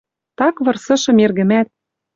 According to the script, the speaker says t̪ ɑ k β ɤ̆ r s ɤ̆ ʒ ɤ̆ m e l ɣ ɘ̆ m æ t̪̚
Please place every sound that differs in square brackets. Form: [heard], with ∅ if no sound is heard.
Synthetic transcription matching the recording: t̪ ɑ k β ɤ̆ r s ɤ̆ [ʃ] ɤ̆ m e [r] ɣ ɘ̆ m æ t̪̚